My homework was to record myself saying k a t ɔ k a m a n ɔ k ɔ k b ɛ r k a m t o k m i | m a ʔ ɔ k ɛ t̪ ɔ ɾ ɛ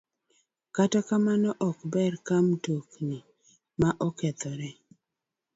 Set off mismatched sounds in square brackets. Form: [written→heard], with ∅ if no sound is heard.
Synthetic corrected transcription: k a t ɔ k a m a n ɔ [k→ʔ] ɔ k b ɛ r k a m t o k [m→n] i | m a ʔ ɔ k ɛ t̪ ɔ ɾ ɛ